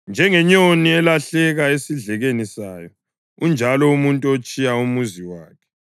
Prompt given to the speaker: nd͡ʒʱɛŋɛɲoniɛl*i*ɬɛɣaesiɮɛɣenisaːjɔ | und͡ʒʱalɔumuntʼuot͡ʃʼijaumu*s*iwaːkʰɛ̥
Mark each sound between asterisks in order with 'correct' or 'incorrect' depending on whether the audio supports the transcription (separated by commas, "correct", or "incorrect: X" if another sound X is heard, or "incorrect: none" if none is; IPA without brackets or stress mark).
incorrect: a, incorrect: z